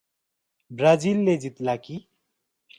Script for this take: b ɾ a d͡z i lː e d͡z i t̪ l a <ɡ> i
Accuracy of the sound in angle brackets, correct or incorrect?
incorrect